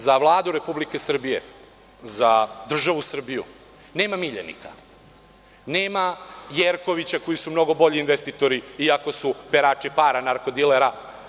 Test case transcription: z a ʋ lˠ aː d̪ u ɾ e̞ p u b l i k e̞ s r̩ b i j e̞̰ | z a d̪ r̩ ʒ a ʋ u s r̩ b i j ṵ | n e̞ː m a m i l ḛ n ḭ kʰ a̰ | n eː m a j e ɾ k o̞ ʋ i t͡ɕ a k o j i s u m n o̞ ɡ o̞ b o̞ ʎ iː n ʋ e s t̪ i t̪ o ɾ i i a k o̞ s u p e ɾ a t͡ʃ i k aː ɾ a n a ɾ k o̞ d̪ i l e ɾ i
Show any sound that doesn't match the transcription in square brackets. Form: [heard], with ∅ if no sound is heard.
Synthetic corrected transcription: z a ʋ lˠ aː d̪ u ɾ e̞ p u b l i k e̞ s r̩ b i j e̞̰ | z a d̪ r̩ ʒ a ʋ u s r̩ b i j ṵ | n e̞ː m a m i [ʎ] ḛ n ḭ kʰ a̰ | n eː m a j e ɾ k o̞ ʋ i t͡ɕ a k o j i s u m n o̞ ɡ o̞ b o̞ ʎ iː n ʋ e s t̪ i t̪ o ɾ i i a k o̞ s u p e ɾ a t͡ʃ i [p] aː ɾ a n a ɾ k o̞ d̪ i l e ɾ [a]